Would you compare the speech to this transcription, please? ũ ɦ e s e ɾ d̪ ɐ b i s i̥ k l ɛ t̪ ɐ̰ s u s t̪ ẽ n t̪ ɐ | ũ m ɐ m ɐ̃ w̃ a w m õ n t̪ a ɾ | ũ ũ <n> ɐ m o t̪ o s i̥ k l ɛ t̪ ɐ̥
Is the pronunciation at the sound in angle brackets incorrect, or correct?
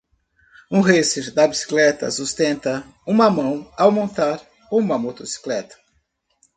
incorrect